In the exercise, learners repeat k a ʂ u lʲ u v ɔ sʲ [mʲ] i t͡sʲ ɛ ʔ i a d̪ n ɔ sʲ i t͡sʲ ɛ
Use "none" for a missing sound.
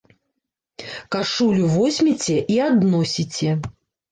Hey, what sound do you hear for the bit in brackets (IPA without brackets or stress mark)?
mʲ